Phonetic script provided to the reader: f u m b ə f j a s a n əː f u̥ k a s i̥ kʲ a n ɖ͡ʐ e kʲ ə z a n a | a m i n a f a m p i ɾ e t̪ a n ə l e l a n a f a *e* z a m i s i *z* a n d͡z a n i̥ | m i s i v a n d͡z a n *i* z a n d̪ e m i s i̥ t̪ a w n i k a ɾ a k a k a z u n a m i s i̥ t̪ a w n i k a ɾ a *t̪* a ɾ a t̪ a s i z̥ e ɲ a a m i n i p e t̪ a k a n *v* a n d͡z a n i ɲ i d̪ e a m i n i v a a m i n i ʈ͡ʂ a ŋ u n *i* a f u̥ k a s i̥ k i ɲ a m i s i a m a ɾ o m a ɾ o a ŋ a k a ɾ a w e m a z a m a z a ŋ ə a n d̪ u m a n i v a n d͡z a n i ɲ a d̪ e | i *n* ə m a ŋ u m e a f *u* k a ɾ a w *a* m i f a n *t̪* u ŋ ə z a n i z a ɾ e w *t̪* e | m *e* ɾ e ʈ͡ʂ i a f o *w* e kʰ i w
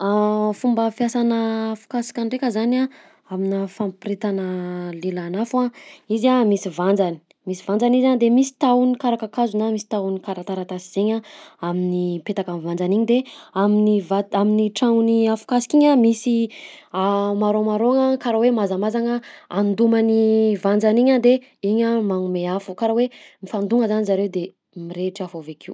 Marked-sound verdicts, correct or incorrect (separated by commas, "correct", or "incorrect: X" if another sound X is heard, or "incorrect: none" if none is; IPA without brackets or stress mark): incorrect: i, incorrect: v, correct, correct, correct, correct, incorrect: ɲ, correct, incorrect: e, incorrect: d̪, incorrect: d̪, incorrect: i, incorrect: v